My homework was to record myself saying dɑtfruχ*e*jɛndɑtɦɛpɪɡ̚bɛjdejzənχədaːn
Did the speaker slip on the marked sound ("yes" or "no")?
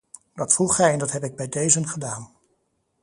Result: yes